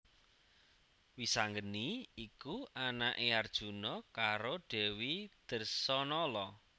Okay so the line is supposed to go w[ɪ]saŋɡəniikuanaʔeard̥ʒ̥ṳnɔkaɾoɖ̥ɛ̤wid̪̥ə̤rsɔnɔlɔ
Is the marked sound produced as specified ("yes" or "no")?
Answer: no